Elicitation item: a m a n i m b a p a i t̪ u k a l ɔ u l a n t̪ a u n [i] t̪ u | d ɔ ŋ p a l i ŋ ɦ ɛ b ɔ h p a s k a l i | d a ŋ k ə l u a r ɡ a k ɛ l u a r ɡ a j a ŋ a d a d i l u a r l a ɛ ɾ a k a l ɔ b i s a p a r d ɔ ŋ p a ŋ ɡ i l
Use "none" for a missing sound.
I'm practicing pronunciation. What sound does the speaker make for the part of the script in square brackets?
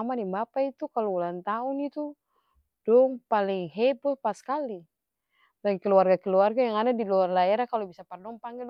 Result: i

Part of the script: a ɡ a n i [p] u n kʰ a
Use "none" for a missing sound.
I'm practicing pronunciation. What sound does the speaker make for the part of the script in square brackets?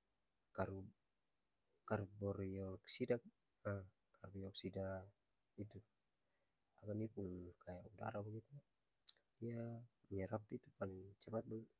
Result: p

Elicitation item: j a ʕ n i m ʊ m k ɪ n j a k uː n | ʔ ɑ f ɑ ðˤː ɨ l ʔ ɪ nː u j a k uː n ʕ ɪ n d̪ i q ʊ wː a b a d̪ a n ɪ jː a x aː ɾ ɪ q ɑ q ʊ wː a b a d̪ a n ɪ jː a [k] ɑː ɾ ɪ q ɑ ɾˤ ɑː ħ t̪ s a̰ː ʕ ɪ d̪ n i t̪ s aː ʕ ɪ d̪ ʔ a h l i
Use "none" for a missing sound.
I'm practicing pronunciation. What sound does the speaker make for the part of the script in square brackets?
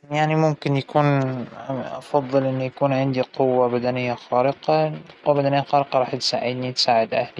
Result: x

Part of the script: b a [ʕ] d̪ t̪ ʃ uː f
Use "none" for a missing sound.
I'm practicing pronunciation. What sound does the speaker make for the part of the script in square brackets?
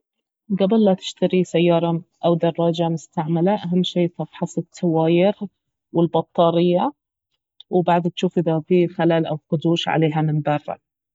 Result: ʕ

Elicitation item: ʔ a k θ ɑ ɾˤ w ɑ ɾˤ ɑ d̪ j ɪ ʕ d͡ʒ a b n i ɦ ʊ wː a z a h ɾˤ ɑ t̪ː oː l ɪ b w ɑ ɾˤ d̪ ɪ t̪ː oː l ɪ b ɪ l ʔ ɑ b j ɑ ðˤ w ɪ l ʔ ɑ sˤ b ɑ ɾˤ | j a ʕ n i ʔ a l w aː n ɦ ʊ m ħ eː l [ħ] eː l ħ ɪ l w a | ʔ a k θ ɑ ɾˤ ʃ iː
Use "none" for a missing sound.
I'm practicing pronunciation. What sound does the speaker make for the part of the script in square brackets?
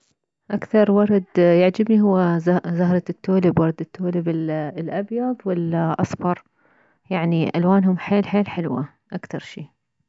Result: ħ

